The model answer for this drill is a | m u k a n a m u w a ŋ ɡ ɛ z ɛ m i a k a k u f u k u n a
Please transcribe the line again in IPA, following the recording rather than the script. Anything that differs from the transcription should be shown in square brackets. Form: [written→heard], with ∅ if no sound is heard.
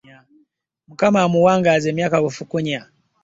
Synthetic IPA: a | m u k a [n→m] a m u w a ŋ ɡ [ɛ→a] z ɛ m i a k a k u f u k u [n→ɲ] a